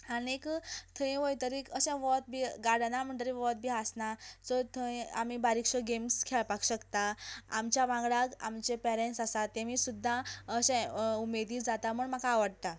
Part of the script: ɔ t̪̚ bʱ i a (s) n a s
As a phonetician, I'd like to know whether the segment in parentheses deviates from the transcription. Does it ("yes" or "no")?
no